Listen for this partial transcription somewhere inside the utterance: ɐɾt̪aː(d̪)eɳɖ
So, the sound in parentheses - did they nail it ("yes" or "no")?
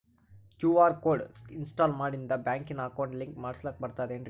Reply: yes